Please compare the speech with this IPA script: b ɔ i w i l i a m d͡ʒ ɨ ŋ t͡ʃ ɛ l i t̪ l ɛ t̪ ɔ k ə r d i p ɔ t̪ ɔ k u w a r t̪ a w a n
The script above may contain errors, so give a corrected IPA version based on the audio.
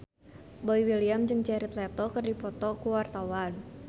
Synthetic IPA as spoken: b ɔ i w i l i a m d͡ʒ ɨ ŋ t͡ʃ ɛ ɾ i t̪ l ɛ t̪ ɔ k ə r d i p ɔ t̪ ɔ k u w a r t̪ a w a n